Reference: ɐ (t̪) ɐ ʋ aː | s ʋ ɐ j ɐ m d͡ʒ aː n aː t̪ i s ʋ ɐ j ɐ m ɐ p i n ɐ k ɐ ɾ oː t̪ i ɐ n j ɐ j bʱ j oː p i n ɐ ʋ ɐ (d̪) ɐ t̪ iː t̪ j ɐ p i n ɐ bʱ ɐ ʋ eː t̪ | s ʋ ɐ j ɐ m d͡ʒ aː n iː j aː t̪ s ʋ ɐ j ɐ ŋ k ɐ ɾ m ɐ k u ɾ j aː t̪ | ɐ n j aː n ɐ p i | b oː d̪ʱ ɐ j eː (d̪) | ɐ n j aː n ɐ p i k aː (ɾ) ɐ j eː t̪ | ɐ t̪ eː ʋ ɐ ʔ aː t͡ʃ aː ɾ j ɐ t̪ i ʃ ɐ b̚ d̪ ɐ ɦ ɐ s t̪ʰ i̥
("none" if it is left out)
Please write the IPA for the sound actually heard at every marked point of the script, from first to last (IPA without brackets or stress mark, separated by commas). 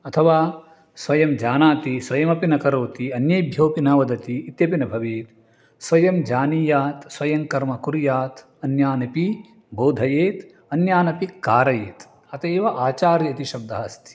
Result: t̪ʰ, d̪, t̪, ɾ